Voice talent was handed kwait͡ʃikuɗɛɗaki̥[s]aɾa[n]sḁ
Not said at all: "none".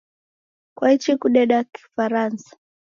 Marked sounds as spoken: f, n

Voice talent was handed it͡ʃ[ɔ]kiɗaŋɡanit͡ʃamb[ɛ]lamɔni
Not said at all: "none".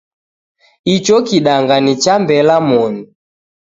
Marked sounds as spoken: ɔ, ɛ

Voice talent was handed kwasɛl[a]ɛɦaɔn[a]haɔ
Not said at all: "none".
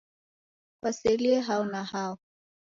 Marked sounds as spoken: i, a

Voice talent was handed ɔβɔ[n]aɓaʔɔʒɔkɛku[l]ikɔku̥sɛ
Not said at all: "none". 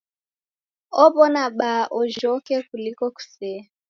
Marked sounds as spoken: n, l

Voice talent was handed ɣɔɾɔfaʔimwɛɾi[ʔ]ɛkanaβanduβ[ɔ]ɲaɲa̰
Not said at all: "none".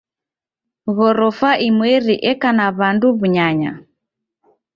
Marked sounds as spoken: ʔ, u

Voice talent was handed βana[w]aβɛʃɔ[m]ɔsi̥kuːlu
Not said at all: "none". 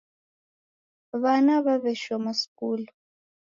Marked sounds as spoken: β, m

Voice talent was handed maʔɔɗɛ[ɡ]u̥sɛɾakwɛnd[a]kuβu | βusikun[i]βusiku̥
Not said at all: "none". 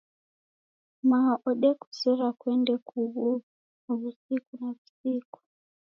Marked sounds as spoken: k, ɛ, a

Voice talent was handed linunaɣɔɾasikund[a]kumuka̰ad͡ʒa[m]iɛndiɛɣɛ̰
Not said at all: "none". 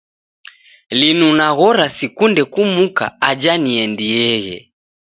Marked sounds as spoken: ɛ, n

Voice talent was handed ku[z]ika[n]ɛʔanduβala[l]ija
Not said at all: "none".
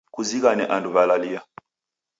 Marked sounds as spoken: z, n, l

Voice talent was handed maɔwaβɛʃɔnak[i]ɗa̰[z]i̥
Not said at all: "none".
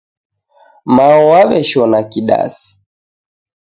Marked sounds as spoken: i, s

